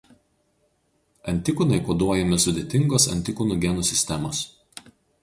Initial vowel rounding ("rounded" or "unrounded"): unrounded